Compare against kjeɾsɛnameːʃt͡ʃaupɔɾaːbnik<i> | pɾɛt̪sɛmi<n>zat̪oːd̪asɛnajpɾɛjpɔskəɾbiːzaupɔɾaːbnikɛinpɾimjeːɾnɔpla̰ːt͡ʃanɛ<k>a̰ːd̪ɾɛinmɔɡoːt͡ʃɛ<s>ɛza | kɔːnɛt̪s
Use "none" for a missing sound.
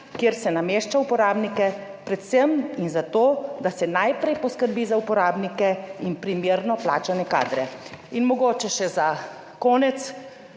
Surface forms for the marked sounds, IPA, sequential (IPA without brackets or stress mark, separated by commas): ɛ, n, k, ʃ